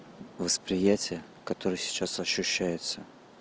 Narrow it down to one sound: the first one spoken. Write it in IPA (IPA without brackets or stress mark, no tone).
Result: v